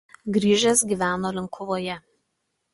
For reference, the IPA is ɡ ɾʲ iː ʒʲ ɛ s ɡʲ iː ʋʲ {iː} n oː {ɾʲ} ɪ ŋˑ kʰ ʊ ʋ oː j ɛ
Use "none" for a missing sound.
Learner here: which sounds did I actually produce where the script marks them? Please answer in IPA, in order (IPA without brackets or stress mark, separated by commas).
æː, lʲ